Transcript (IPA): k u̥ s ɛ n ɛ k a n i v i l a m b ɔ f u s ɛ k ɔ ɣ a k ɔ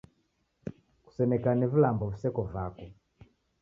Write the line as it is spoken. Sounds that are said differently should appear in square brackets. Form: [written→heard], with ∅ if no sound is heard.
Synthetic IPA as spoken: k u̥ s ɛ [n→m] ɛ k a n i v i l a m b ɔ [f→v] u s ɛ k ɔ [ɣ→v] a k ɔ